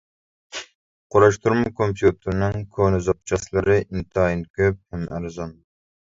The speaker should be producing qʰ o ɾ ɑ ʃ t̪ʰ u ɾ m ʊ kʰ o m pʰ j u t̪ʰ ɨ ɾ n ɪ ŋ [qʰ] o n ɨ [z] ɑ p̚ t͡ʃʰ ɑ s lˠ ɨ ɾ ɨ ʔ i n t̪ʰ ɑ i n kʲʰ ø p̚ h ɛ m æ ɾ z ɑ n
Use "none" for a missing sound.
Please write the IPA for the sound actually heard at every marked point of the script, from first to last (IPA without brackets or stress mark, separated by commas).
kʰ, z